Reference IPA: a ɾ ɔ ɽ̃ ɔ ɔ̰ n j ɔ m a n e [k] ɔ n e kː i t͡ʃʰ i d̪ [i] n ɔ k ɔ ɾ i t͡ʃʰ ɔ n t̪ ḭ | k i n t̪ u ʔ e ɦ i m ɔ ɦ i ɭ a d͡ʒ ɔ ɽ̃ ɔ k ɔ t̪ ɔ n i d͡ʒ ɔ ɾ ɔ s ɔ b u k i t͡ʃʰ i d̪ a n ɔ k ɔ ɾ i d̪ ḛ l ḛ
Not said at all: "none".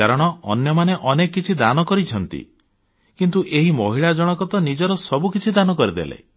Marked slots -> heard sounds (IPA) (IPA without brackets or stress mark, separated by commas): ʔ, a